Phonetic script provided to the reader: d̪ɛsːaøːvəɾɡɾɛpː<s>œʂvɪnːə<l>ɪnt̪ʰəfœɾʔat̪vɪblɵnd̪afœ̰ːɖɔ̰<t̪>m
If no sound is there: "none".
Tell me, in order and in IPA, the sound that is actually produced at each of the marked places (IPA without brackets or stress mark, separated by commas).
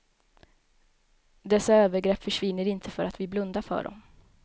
f, ɾ, none